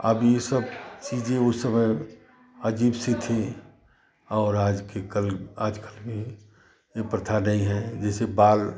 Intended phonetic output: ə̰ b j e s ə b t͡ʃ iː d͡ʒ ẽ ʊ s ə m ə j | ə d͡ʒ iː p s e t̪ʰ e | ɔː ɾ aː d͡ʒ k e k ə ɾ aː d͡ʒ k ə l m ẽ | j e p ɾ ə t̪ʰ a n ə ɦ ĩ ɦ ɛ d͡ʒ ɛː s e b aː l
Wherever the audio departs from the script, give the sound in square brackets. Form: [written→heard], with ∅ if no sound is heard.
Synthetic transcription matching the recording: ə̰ b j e s ə b t͡ʃ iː d͡ʒ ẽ ʊ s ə m ə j | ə d͡ʒ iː [p→b] s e t̪ʰ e | ɔː ɾ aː d͡ʒ k e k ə [ɾ→l] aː d͡ʒ k ə l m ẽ | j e p ɾ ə t̪ʰ a n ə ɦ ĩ ɦ ɛ d͡ʒ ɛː s e b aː l